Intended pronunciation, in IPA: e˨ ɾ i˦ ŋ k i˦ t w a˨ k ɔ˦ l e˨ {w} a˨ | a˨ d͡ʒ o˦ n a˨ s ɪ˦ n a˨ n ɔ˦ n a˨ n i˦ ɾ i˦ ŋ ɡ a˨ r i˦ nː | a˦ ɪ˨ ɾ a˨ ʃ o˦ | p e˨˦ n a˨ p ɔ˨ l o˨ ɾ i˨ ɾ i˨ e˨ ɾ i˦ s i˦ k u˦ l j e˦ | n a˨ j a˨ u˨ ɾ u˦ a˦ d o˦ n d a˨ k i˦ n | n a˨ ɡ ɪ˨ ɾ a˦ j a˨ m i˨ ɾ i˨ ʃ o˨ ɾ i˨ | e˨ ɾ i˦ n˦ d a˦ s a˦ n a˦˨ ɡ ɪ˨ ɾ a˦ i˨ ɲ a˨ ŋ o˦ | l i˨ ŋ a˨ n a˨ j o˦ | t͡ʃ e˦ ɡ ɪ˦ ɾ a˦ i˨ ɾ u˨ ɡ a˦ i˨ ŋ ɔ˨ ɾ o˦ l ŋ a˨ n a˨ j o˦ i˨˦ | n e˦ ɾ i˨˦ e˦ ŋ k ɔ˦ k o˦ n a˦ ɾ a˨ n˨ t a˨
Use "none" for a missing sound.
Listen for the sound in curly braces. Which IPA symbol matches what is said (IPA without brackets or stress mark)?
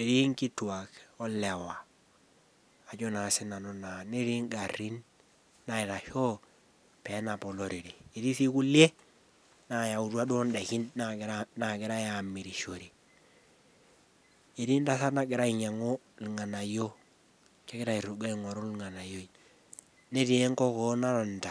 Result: w